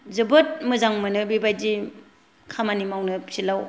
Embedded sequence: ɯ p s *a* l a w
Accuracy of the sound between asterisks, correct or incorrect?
incorrect